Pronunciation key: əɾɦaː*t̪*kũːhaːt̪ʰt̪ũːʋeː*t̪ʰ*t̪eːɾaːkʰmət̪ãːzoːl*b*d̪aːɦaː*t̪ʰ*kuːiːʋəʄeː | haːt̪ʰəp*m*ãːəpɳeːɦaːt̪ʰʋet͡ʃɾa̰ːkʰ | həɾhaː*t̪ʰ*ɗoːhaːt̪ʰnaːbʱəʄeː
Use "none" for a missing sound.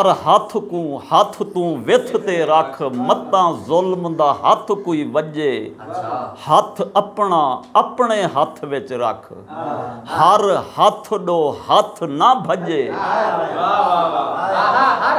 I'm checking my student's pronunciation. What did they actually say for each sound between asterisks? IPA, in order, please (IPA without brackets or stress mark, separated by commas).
t̪ʰ, t̪ʰ, m, t̪ʰ, ɳ, t̪ʰ